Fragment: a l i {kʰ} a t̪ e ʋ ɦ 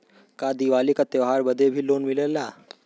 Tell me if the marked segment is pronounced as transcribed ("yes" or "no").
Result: no